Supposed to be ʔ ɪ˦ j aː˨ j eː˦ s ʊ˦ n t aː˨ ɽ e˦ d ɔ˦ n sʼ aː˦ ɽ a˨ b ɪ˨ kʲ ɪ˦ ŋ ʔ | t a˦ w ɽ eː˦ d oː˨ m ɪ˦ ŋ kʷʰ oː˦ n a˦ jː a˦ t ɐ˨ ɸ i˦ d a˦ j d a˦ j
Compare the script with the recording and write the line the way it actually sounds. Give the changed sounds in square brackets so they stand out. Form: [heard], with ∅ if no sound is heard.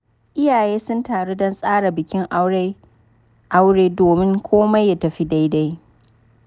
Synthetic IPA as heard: ʔ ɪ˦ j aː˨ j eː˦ s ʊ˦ n t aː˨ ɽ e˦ d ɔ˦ n sʼ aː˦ ɽ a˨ b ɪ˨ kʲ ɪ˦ ŋ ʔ | [ʔ] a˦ w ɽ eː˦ d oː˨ m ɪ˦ ŋ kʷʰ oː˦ [m] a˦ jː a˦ t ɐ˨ ɸ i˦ d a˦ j d a˦ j